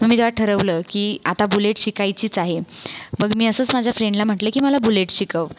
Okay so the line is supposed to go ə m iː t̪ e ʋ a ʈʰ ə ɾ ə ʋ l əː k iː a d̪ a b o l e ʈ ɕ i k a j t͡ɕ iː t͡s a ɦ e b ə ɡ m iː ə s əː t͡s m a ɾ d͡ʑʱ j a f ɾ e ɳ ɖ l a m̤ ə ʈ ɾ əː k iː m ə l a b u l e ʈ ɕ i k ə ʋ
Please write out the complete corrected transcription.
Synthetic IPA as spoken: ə m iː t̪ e ʋ a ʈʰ ə ɾ ə ʋ l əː k iː a t̪ a b u l e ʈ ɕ i k a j t͡ɕ iː t͡s a ɦ e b ə ɡ m iː ə s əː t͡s m a d͡ʑʱ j a f ɾ e ɳ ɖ l a m̤ ə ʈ l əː k iː m ə l a b u l e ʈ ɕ i k ə ʋ